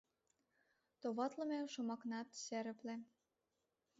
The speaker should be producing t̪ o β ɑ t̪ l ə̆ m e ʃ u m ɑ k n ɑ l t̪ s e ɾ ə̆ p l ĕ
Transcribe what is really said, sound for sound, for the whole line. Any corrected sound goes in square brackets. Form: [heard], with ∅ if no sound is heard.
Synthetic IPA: t̪ o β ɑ t̪ l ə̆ m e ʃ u m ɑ k n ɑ [∅] t̪ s e ɾ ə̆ p l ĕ